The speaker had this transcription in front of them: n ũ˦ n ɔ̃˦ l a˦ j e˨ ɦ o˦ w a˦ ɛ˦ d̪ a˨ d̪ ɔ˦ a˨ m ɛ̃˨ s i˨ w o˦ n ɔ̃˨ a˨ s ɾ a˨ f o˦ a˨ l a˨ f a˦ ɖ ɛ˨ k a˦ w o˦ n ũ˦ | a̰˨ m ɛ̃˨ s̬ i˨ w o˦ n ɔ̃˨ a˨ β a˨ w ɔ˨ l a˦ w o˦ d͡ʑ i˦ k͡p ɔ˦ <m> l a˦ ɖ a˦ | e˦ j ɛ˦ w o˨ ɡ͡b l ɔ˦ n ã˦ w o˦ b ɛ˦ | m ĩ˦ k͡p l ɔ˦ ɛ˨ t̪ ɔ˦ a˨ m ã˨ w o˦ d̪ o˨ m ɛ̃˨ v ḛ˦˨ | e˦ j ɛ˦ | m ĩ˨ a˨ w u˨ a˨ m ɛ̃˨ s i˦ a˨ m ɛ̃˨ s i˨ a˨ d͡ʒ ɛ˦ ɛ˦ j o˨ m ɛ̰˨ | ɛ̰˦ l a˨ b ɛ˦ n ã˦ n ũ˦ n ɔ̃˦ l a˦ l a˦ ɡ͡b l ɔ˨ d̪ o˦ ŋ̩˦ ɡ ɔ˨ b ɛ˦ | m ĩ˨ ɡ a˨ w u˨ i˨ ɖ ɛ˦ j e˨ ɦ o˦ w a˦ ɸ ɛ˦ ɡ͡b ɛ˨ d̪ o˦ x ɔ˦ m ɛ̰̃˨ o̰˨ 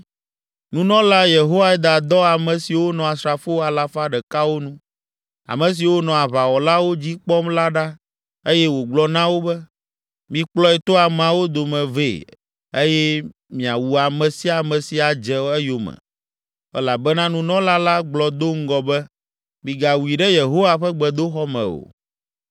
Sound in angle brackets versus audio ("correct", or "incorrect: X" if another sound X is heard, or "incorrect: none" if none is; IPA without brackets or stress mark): correct